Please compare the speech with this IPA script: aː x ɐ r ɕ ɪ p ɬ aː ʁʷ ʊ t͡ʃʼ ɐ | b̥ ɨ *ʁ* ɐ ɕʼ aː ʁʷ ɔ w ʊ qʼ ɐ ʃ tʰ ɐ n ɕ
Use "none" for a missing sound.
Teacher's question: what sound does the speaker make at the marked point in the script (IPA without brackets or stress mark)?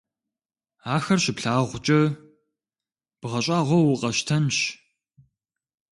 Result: ʁ